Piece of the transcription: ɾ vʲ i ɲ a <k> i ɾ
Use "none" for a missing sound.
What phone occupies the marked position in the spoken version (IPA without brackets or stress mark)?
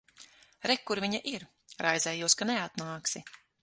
ʔ